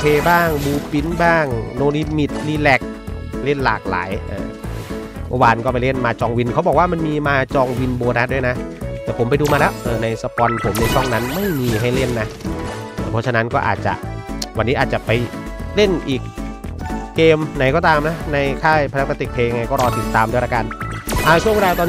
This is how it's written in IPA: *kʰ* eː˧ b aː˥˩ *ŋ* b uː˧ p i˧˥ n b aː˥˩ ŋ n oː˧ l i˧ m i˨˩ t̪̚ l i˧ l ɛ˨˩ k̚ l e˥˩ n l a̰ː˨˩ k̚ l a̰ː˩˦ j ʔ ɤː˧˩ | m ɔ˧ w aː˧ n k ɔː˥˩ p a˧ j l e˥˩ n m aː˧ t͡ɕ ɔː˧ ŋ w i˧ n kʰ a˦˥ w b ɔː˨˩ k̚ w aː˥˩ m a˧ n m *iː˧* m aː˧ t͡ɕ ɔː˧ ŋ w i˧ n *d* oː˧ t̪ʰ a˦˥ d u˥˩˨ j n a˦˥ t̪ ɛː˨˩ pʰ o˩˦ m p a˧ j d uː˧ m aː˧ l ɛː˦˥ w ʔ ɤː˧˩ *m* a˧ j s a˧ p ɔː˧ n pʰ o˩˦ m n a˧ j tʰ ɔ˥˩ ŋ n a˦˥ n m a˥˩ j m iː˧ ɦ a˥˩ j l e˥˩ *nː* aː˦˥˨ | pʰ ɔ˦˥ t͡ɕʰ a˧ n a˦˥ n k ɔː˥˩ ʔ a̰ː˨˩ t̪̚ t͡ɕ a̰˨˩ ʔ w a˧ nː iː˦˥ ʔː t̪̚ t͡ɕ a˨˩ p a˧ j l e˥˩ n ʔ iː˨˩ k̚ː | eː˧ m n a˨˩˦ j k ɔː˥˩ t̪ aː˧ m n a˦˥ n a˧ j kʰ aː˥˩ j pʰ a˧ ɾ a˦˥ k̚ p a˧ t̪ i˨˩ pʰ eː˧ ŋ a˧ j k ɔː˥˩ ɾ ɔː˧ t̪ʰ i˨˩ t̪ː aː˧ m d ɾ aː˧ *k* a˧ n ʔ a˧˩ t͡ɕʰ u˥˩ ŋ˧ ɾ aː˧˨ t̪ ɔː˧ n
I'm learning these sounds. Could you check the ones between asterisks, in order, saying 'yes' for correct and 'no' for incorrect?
no, yes, yes, no, no, yes, yes

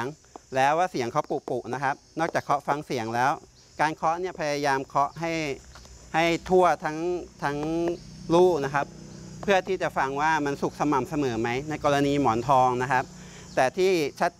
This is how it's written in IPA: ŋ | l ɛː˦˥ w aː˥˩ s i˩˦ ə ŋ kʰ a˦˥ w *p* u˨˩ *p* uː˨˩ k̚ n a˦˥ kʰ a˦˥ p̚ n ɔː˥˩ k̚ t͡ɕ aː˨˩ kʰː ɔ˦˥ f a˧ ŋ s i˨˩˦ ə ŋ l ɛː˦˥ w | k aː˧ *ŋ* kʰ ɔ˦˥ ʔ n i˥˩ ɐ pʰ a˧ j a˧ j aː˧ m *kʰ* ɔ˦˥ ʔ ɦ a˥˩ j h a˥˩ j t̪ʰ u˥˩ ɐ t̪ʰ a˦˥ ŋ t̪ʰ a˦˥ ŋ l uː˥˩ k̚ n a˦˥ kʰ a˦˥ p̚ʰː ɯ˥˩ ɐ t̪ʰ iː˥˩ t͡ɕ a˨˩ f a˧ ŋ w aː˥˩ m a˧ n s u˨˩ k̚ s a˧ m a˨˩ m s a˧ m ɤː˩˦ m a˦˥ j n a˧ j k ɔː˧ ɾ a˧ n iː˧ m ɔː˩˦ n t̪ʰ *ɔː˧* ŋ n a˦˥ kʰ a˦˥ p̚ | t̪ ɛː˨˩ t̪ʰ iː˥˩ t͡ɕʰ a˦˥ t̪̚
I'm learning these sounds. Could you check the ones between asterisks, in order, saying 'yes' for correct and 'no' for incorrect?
yes, yes, no, yes, yes

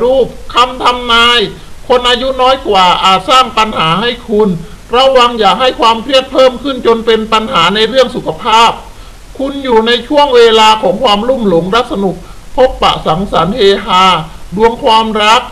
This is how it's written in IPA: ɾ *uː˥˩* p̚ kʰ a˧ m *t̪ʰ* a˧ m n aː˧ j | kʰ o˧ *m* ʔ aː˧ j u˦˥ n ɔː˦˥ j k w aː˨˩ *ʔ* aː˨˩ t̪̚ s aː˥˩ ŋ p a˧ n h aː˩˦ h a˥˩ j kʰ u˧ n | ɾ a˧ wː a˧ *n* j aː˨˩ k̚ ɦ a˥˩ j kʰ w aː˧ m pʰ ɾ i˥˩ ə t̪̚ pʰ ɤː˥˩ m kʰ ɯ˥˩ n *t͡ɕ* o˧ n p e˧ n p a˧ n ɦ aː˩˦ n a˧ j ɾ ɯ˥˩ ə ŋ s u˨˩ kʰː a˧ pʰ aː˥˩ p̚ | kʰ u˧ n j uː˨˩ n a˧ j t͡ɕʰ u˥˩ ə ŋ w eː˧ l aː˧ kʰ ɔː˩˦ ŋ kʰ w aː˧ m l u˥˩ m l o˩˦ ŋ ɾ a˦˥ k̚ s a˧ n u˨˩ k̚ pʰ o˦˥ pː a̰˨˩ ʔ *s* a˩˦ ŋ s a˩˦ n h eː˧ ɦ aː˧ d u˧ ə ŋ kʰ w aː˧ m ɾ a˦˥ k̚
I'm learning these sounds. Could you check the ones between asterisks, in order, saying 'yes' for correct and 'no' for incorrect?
yes, yes, no, yes, no, yes, yes

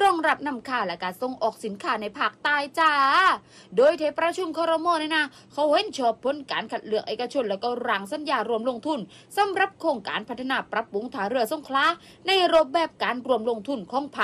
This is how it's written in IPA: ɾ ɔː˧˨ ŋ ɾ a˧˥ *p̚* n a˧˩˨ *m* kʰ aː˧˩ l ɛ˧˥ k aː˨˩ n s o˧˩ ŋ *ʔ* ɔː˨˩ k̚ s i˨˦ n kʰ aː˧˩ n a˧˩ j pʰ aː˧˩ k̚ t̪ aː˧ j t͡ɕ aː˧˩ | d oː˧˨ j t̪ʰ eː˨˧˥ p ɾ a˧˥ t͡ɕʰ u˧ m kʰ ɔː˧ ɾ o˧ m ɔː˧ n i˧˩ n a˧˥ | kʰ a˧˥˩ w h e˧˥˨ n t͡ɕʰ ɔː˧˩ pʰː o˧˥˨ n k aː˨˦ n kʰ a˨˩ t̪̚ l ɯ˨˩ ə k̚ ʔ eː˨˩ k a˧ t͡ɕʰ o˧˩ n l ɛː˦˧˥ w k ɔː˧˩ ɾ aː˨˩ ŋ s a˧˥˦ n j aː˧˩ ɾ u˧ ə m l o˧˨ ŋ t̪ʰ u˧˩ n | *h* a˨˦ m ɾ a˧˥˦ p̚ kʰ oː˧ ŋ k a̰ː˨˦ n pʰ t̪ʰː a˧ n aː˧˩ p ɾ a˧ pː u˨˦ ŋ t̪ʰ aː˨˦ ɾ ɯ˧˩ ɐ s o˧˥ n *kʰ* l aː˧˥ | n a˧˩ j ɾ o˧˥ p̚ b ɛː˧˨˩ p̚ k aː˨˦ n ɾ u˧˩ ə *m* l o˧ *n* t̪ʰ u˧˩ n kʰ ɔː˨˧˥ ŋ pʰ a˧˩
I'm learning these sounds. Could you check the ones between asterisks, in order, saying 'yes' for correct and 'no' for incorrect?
yes, yes, yes, no, yes, yes, no

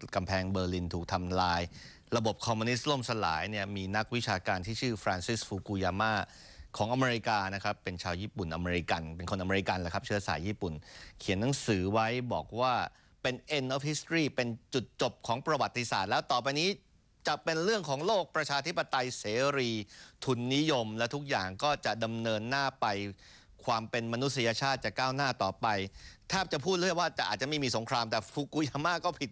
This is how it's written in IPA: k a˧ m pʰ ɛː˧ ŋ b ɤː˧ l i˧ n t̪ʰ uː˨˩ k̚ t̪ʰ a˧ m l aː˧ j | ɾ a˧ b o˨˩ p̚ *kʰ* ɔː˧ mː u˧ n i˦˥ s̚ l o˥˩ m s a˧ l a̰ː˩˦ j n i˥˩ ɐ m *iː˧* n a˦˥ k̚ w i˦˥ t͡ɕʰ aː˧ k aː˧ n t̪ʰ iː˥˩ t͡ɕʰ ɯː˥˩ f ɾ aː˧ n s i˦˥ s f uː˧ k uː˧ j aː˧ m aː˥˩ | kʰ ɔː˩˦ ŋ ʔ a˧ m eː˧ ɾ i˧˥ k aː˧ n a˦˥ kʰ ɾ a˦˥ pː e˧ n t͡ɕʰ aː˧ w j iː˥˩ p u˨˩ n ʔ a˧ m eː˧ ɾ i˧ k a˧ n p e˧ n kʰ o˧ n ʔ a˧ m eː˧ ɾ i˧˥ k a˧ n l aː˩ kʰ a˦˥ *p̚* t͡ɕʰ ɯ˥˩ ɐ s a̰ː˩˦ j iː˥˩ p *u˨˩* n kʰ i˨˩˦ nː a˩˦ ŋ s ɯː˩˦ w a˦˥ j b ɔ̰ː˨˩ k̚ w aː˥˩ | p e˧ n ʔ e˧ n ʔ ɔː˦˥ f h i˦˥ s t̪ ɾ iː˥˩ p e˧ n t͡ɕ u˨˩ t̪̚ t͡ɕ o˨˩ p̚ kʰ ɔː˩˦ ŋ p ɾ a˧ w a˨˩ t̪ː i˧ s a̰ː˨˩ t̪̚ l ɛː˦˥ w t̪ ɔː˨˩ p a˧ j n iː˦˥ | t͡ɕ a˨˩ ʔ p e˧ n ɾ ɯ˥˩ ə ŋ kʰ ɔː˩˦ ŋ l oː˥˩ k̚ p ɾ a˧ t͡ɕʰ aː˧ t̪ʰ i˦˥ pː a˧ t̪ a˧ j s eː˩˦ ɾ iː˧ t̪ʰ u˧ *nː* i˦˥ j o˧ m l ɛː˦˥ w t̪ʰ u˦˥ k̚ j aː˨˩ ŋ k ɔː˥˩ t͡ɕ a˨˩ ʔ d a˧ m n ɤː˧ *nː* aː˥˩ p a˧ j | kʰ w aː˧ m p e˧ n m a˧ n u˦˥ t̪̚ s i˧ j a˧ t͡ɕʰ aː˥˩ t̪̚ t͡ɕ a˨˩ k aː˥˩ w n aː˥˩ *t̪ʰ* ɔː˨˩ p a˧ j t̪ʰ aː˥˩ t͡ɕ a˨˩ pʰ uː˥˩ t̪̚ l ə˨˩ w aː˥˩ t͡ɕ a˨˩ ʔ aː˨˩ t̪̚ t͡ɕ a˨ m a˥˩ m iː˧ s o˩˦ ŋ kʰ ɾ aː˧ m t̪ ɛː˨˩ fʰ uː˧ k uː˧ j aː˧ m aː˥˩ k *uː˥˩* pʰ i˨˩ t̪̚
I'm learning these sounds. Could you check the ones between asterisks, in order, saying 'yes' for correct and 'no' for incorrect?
yes, yes, yes, yes, yes, yes, no, no

